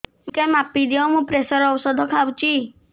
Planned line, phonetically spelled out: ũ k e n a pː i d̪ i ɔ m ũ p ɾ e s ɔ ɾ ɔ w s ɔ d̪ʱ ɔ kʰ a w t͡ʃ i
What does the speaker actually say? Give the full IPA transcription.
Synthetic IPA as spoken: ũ k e m a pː i d̪ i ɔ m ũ p ɾ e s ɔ ɾ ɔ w s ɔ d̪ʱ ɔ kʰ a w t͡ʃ i